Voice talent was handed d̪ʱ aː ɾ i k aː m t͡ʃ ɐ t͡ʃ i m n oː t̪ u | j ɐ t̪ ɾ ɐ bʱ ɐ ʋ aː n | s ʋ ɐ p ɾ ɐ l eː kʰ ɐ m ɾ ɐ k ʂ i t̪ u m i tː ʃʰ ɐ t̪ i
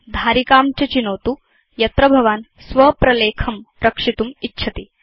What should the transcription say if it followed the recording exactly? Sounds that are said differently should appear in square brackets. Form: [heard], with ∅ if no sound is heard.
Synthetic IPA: d̪ʱ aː ɾ i k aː m t͡ʃ ɐ t͡ʃ i [∅] n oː t̪ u | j ɐ t̪ ɾ ɐ bʱ ɐ ʋ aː n | s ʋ ɐ p ɾ ɐ l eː kʰ ɐ m ɾ ɐ k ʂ i t̪ u m i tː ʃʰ ɐ t̪ i